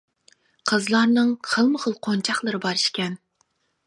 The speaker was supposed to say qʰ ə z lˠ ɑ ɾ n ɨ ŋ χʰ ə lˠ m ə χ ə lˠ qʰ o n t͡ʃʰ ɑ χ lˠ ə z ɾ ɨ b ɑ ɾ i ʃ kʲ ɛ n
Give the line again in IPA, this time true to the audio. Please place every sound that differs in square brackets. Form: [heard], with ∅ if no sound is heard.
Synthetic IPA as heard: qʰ ə z lˠ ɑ ɾ n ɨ ŋ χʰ ə lˠ m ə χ ə lˠ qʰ o n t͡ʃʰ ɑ χ lˠ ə [∅] ɾ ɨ b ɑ ɾ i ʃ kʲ ɛ n